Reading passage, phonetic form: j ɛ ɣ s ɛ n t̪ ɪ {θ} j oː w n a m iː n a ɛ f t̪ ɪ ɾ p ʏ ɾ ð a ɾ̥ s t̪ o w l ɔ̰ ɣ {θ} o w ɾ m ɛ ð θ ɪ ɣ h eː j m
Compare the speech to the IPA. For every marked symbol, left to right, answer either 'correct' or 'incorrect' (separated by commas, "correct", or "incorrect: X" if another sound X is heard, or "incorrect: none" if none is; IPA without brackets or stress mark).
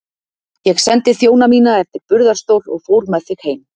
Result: correct, incorrect: f